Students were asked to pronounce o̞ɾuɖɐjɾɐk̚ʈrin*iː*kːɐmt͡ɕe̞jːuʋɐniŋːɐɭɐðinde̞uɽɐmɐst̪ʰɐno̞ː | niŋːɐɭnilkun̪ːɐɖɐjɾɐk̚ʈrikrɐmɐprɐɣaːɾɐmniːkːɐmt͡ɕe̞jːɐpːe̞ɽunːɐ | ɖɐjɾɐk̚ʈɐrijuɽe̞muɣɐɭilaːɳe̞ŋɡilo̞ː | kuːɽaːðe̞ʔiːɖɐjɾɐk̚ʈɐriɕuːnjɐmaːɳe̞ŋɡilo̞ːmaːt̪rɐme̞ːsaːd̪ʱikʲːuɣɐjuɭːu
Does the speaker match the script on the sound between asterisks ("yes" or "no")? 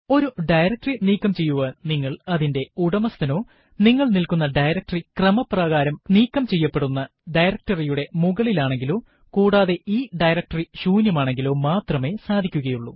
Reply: yes